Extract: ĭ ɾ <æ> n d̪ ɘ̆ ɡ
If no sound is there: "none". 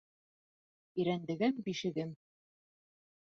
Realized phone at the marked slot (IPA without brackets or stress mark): æ